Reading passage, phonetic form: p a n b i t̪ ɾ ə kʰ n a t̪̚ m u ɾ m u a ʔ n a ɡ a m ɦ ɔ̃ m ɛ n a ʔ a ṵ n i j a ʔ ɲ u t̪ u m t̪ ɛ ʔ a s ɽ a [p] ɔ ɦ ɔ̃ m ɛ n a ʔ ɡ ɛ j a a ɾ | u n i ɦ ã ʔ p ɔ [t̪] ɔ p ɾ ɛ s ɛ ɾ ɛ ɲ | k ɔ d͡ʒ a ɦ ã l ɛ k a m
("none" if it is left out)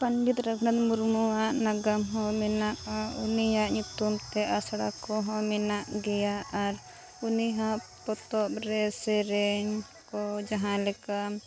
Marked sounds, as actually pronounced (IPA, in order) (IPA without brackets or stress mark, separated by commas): k, t̪